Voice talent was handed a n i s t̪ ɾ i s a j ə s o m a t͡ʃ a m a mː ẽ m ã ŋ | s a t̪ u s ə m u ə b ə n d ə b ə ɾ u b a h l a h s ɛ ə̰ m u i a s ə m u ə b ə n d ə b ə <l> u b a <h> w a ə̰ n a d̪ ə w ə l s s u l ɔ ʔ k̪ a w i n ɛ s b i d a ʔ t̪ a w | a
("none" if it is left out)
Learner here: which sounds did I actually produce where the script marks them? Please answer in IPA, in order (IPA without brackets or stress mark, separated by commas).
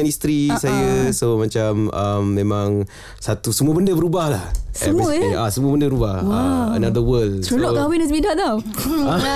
ɾ, h